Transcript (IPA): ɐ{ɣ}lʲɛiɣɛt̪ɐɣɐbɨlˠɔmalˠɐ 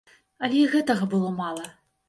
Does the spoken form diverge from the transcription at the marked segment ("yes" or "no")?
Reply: yes